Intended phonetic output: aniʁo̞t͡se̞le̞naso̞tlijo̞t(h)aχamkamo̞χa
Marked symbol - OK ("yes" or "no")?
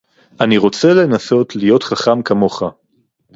no